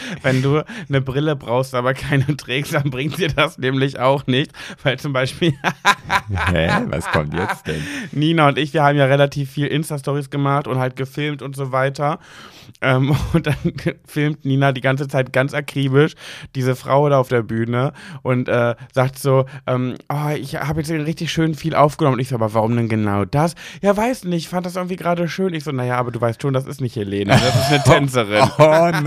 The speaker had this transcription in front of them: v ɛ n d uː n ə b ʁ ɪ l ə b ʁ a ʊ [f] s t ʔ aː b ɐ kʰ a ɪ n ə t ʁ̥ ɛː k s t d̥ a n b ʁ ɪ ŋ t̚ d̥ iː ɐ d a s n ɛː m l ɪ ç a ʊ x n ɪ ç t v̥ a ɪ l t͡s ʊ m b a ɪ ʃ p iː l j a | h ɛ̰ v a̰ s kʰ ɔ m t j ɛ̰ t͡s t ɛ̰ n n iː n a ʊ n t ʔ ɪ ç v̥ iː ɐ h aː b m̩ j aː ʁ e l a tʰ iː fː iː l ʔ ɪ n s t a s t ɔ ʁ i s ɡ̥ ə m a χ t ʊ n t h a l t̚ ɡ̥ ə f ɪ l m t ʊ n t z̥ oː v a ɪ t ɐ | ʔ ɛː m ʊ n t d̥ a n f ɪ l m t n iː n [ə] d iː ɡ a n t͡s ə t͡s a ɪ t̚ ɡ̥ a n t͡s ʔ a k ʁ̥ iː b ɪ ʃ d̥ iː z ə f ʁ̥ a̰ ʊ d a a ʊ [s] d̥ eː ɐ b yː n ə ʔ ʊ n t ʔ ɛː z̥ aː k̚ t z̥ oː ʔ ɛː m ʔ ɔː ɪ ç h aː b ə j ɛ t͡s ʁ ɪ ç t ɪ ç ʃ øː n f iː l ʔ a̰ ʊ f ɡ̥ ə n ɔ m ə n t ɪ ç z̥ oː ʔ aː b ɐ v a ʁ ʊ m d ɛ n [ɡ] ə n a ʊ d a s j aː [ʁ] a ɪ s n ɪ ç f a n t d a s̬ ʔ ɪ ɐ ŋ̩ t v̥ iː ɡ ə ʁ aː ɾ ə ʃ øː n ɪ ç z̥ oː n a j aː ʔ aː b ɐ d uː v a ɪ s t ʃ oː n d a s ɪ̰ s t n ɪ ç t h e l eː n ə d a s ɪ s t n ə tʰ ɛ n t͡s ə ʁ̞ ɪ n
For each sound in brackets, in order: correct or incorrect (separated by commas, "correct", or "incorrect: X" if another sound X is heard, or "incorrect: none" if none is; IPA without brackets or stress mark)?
incorrect: x, incorrect: a, incorrect: f, correct, incorrect: v